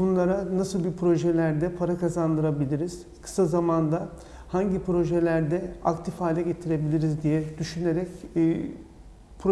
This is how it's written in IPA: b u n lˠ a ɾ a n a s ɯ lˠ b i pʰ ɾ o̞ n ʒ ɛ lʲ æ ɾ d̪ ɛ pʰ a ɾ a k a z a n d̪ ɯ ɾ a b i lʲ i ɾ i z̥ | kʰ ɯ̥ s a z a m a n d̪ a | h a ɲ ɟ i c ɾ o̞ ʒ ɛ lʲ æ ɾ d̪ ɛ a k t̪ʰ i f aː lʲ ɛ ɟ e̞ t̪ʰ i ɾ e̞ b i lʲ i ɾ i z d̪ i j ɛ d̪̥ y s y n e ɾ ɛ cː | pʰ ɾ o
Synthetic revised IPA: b u n lˠ a ɾ a n a s ɯ lˠ b i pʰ ɾ o̞ ʒ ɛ lʲ æ ɾ d̪ ɛ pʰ a ɾ a k a z a n d̪ ɯ ɾ a b i lʲ i ɾ i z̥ | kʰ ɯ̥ s a z a m a n d̪ a | h a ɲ ɟ i p ɾ o̞ ʒ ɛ lʲ æ ɾ d̪ ɛ a k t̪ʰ i f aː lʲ ɛ ɟ e̞ t̪ʰ i ɾ e̞ b i lʲ i ɾ i z d̪ i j ɛ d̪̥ y ʃ y n e ɾ ɛ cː | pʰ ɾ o

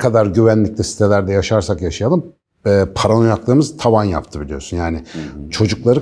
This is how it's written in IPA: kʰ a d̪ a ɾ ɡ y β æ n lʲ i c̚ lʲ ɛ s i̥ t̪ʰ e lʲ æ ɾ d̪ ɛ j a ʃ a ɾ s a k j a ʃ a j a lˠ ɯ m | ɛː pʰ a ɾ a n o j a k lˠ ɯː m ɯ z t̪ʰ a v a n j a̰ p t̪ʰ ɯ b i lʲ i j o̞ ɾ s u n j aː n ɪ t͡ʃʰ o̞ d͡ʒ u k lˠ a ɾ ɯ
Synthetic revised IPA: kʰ a d̪ a ɾ ɟ y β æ n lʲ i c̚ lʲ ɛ s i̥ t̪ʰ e lʲ æ ɾ d̪ ɛ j a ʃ a ɾ s a k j a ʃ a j a lˠ ɯ m | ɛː pʰ a ɾ a n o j a k lˠ ɯː m ɯ z t̪ʰ a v a n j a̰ p t̪ʰ ɯ b i lʲ i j o̞ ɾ s u n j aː n ɪ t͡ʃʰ o̞ d͡ʒ u k lˠ a ɾ ɯ

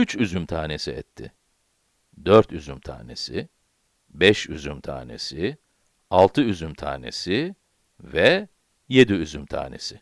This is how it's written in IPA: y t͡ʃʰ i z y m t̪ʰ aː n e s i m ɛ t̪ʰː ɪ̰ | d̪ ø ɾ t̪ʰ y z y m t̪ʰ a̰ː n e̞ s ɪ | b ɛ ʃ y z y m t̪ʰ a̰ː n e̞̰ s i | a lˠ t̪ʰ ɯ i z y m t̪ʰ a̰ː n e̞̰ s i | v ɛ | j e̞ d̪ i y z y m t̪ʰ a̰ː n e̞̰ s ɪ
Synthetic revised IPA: y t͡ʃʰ y z y m t̪ʰ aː n e s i ɛ t̪ʰː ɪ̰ | d̪ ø ɾ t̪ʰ y z y m t̪ʰ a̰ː n e̞ s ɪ | b ɛ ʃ y z y m t̪ʰ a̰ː n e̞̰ s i | a lˠ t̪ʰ ɯ y z y m t̪ʰ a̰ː n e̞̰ s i | v ɛ | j e̞ d̪ i y z y m t̪ʰ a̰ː n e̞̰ s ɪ

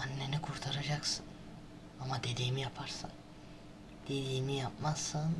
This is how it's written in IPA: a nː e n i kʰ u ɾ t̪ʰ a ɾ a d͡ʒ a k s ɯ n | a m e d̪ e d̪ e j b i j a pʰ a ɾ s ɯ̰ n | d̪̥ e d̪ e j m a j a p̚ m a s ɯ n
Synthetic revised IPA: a nː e n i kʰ u ɾ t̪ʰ a ɾ a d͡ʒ a k s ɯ n | a m a d̪ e d̪ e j m i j a pʰ a ɾ s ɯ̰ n | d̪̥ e d̪ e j m i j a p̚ m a s ɯ n

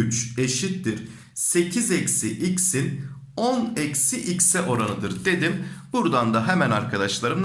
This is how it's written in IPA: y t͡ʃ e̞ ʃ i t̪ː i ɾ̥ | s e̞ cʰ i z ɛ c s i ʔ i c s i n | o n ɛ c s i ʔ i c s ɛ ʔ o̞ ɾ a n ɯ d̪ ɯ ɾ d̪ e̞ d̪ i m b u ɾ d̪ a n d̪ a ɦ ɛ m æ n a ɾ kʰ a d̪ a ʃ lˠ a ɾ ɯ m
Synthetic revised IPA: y t͡ʃ e̞ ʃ i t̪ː i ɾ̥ | s e̞ cʰ i z ɛ c s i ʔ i c s i n | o n ɛ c s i ʔ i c s ɛ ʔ o̞ ɾ a n ɯ d̪ ɯ ɾ d̪ e̞ d̪ i m b u ɾ d̪ a n d̪ a ɦ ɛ m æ n a ɾ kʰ a d̪ a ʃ lˠ a ɾ ɯ m

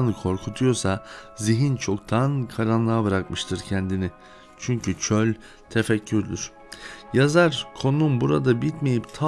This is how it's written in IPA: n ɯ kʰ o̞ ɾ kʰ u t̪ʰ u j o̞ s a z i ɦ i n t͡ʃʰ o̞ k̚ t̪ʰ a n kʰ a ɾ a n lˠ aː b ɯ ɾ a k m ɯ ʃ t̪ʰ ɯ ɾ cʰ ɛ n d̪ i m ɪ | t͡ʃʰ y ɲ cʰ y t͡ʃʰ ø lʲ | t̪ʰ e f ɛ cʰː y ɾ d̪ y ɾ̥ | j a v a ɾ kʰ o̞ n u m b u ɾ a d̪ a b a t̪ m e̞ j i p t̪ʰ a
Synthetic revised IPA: n ɯ kʰ o̞ ɾ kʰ u t̪ʰ u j o̞ s a z i ɦ i n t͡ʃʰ o̞ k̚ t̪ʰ a n kʰ a ɾ a n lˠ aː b ɯ ɾ a k m ɯ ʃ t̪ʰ ɯ ɾ cʰ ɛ n d̪ i n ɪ | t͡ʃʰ y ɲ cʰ y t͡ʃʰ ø lʲ | t̪ʰ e f ɛ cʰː y ɾ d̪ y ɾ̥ | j a z a ɾ kʰ o̞ n u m b u ɾ a d̪ a b i t̪ m e̞ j i p t̪ʰ a

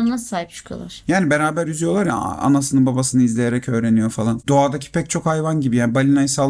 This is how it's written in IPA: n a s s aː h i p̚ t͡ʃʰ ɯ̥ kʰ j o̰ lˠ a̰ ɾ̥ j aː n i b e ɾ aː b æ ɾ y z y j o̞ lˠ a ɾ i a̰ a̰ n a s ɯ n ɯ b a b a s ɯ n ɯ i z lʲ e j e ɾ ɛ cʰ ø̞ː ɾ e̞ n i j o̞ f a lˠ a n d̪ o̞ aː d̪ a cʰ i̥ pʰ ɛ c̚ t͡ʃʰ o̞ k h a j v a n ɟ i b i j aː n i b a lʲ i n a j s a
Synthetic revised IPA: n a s s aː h i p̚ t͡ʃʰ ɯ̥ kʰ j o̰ lˠ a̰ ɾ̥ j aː n i b e ɾ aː b æ ɾ y z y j o̞ lˠ a ɾ j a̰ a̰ n a s ɯ n ɯ b a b a s ɯ n ɯ i z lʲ e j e ɾ ɛ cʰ ø̞ː ɾ e̞ n i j o̞ f a lˠ a n d̪ o̞ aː d̪ a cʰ i̥ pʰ ɛ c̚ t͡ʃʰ o̞ k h a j v a n ɟ i b i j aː n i b a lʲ i n a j s a

